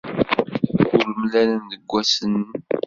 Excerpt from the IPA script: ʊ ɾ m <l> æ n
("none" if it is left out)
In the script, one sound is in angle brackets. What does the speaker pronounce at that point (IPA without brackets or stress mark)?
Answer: l